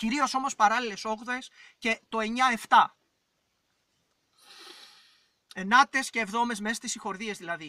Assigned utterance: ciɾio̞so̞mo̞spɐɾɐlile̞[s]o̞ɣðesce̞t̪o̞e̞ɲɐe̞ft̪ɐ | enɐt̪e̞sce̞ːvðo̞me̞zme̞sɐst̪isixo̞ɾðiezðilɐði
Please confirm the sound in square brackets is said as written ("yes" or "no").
yes